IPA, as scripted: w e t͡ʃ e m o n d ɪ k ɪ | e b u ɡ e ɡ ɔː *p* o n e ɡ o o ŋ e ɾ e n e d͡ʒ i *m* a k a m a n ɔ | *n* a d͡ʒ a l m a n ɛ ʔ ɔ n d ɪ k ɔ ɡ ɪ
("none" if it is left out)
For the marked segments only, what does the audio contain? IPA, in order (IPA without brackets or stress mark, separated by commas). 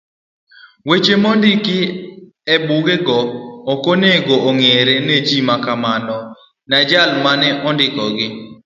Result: k, m, n